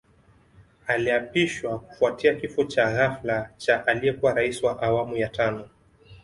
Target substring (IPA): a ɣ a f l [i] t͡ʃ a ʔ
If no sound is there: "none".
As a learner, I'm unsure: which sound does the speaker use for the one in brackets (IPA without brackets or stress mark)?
a